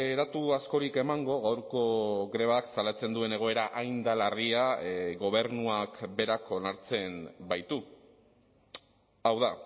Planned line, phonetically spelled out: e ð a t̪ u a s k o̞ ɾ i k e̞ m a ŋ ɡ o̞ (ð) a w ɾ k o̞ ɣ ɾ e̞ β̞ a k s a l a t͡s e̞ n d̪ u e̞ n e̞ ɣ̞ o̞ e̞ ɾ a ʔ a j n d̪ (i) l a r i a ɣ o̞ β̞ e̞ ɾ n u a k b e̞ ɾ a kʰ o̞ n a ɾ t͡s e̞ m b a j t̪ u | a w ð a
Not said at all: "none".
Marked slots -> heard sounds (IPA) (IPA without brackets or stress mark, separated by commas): ɣ, a